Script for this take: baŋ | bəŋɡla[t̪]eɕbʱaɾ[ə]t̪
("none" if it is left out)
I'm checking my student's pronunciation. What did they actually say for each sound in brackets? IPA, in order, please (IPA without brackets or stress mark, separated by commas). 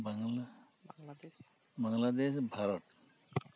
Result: d̪, ə